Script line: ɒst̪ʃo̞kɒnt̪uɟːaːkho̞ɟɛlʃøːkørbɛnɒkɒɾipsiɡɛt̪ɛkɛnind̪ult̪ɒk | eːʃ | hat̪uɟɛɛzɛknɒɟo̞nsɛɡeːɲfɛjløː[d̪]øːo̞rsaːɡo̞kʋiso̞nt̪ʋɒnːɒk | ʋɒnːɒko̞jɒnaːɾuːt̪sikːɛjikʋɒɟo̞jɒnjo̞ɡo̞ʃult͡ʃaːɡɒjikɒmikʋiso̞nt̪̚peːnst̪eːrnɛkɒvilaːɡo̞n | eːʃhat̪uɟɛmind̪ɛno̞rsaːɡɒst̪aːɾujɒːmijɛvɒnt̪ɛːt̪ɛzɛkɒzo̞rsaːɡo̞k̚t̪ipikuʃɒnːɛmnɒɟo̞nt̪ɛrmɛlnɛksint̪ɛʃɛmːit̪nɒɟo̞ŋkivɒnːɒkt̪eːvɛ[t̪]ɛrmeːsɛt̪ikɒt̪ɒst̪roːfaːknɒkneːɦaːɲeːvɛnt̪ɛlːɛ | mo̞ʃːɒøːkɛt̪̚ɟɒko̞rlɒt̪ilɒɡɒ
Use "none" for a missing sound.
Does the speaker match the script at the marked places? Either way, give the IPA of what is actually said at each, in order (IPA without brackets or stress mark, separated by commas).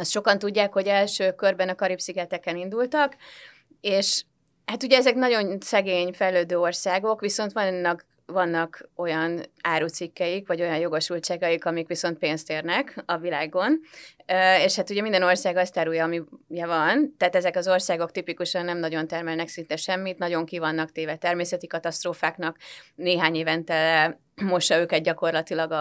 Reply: d̪, t̪